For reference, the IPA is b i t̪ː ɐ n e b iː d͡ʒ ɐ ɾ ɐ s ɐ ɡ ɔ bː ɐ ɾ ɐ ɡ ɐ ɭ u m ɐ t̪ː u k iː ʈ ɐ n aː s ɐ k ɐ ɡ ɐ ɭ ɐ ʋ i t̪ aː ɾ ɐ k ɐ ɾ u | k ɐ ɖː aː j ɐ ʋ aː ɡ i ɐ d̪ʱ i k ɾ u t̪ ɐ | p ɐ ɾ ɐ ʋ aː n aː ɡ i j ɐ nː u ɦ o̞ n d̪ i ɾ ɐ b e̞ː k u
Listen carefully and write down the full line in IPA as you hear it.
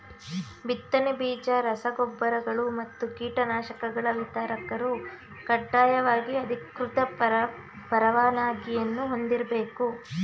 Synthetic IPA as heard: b i t̪ː ɐ n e b iː d͡ʒ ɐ ɾ ɐ s ɐ ɡ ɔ bː ɐ ɾ ɐ ɡ ɐ ɭ u m ɐ t̪ː u k iː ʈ ɐ n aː ʃ ɐ k ɐ ɡ ɐ ɭ ɐ ʋ i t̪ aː ɾ ɐ k ɐ ɾ u | k ɐ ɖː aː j ɐ ʋ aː ɡ i ɐ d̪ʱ i k ɾ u t̪ ɐ | p ɐ ɾ ɐ ʋ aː n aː ɡ i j ɐ nː u ɦ o̞ n d̪ i ɾ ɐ b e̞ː k u